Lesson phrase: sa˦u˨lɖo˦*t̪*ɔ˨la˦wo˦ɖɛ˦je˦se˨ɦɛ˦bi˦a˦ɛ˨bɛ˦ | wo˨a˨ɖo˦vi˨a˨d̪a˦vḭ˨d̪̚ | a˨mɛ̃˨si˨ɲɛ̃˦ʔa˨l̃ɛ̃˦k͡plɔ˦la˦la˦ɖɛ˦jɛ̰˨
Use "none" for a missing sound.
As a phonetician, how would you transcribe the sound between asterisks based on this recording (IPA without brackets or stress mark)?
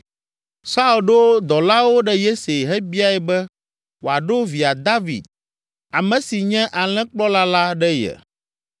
d̪